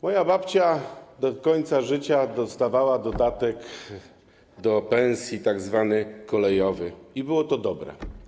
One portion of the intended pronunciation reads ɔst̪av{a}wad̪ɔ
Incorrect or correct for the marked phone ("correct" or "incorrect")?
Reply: correct